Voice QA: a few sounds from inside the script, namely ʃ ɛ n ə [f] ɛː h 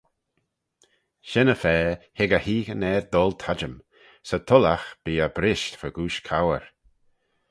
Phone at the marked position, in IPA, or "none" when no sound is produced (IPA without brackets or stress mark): f